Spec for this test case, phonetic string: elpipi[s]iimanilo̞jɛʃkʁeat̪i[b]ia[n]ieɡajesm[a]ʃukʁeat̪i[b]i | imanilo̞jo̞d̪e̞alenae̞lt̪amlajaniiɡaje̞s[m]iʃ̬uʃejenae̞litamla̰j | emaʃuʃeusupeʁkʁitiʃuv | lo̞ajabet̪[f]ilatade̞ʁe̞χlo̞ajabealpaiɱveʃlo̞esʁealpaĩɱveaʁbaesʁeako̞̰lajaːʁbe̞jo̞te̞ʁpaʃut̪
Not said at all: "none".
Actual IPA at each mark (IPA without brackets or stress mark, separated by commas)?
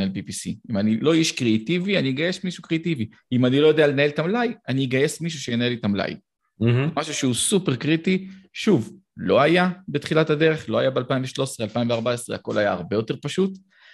s, v, n, i, v, m, χ